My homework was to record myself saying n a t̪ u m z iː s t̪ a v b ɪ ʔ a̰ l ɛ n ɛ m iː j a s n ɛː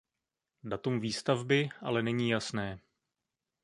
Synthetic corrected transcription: d a t̪ u m v iː s t̪ a v b ɪ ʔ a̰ l ɛ n ɛ ɲ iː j a s n ɛː